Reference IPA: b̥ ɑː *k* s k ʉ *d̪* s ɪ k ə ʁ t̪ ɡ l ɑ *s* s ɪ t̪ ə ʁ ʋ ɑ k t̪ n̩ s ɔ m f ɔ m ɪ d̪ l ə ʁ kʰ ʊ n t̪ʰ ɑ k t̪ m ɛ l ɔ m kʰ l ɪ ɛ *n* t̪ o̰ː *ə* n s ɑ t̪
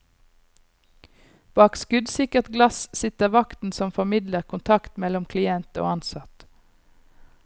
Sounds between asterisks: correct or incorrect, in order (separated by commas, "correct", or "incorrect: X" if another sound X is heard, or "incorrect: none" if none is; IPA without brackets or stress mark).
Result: correct, correct, correct, correct, incorrect: ɑ